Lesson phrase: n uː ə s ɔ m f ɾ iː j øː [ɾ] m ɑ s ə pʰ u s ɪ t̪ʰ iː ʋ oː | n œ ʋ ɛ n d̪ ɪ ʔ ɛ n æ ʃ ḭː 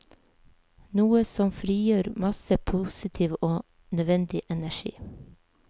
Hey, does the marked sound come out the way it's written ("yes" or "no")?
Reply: yes